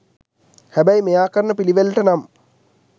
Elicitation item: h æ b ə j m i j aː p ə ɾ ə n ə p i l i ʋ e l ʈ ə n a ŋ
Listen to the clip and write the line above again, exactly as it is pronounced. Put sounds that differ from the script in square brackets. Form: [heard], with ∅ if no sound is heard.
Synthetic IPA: h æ b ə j m [e] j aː [k] ə ɾ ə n ə p i l i ʋ e l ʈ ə n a [m]